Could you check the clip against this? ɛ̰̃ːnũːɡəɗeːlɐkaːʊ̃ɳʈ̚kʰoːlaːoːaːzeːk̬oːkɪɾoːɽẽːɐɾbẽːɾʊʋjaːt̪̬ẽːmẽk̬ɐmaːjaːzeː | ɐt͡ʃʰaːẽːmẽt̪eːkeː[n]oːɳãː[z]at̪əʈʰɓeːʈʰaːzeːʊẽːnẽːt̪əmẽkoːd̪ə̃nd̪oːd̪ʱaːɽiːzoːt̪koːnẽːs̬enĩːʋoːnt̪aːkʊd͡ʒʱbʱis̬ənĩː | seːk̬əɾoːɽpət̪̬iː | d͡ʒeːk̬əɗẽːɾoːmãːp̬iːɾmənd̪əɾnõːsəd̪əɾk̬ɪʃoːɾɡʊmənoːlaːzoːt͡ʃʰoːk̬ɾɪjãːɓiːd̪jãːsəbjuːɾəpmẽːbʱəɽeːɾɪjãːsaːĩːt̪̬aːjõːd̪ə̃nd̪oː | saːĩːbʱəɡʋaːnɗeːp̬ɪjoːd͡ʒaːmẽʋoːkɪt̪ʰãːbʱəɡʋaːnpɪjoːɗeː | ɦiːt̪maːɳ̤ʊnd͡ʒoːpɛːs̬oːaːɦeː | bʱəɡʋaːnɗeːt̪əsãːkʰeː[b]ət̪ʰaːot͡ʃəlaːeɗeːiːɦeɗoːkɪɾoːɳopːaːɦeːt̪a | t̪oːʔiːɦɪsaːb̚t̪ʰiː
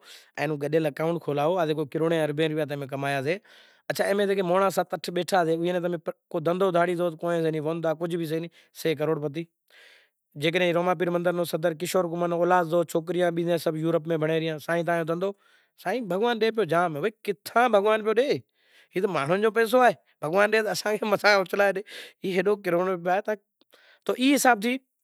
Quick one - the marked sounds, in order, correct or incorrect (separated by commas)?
incorrect, incorrect, incorrect